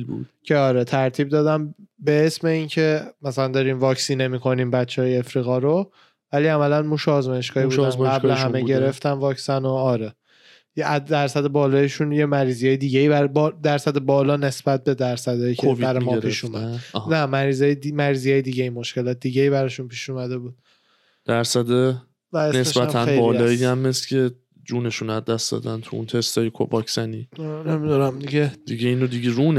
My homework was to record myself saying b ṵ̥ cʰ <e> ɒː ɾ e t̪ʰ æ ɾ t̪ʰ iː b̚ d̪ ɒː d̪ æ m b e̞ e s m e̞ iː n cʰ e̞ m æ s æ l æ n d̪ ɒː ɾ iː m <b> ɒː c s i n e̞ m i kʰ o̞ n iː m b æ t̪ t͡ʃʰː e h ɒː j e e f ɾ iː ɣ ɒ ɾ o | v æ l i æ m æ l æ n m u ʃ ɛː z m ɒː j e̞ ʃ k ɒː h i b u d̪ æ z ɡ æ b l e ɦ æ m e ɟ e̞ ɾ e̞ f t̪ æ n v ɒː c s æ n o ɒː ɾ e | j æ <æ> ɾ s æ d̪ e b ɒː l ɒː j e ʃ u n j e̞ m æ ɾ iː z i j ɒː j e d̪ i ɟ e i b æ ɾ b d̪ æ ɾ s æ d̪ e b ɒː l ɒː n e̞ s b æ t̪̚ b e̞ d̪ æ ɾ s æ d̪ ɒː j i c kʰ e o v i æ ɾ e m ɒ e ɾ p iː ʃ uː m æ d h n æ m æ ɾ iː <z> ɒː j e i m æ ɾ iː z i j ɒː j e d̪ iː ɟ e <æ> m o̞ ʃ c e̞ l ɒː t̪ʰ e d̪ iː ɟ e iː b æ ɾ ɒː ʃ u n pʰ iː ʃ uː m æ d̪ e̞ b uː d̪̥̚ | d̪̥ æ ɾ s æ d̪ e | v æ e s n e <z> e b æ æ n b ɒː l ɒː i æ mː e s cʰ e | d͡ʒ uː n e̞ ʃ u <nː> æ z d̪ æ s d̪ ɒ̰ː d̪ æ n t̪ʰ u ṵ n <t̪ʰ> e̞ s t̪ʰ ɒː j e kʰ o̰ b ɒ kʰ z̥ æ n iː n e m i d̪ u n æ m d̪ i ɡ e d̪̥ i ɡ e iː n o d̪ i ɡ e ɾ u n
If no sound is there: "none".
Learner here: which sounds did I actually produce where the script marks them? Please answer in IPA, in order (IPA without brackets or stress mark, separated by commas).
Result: e, v, æ, z, i, s, n, t̪ʰ